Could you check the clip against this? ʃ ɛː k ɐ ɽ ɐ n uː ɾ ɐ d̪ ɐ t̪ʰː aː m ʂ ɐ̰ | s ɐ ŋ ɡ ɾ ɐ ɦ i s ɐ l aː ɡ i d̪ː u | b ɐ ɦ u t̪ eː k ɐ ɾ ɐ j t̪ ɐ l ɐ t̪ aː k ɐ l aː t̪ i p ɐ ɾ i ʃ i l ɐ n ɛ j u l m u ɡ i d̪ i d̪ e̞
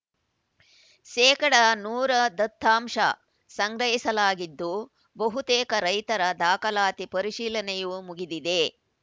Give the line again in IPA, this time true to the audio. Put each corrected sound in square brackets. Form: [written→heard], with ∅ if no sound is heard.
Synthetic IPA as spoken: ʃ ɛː k ɐ ɽ ɐ n uː ɾ ɐ d̪ ɐ t̪ʰː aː m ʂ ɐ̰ | s ɐ ŋ ɡ ɾ ɐ ɦ i s ɐ l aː ɡ i d̪ː u | b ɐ ɦ u t̪ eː k ɐ ɾ ɐ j t̪ ɐ [l→ɾ] ɐ [t̪→d̪] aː k ɐ l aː t̪ i p ɐ ɾ i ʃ [i→iː] l ɐ n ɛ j u [l→∅] m u ɡ i d̪ i d̪ e̞